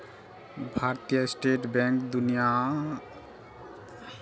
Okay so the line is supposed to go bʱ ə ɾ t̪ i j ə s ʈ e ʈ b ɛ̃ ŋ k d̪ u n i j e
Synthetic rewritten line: bʱ a ɾ t̪ i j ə s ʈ e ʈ b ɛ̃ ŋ k d̪ u n i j a